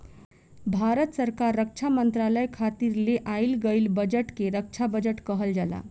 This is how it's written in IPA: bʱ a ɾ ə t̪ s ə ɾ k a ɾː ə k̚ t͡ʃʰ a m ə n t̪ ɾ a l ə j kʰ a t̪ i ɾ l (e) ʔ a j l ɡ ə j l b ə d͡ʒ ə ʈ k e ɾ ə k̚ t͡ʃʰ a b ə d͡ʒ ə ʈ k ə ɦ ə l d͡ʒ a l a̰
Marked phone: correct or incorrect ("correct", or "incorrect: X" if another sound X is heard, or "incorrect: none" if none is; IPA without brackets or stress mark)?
correct